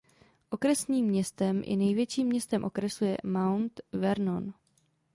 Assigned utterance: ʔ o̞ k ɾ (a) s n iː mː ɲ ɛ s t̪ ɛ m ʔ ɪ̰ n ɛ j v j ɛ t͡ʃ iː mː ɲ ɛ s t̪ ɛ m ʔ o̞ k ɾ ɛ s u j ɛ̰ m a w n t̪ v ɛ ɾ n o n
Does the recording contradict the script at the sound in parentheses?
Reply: yes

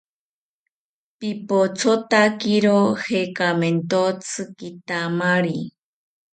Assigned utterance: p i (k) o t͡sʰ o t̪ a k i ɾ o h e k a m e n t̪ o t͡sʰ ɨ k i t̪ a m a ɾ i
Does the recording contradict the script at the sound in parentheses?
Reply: yes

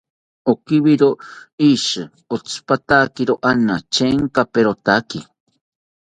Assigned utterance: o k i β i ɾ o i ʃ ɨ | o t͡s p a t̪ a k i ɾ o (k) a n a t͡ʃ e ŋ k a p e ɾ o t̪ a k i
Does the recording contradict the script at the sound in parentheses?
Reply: yes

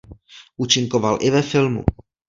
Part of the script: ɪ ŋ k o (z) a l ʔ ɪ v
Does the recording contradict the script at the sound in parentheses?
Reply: yes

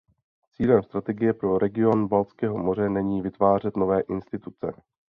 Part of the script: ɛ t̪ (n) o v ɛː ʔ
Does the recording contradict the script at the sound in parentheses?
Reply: no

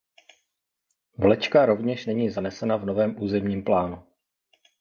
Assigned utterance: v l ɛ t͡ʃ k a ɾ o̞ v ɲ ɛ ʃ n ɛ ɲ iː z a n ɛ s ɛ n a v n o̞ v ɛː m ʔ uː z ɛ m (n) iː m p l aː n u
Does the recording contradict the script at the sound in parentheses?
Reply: yes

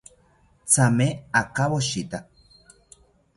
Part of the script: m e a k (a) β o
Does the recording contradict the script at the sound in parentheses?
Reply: no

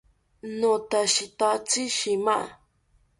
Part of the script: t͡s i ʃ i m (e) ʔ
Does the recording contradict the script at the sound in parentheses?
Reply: yes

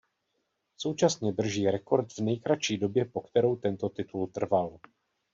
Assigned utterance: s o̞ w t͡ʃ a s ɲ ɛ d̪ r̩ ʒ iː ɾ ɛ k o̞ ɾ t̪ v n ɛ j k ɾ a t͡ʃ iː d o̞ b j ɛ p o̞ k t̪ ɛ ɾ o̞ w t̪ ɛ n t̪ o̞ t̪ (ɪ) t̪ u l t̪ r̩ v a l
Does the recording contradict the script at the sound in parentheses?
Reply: no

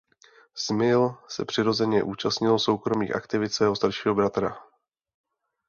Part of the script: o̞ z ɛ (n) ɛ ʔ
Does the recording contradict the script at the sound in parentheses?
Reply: yes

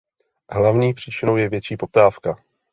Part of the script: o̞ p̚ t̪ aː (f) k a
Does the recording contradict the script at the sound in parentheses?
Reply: no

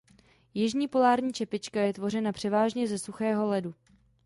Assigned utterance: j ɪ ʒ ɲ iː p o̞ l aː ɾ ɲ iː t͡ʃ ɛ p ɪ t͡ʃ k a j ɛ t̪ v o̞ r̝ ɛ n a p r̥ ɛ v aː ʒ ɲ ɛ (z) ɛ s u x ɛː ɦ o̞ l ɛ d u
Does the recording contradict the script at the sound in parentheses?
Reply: no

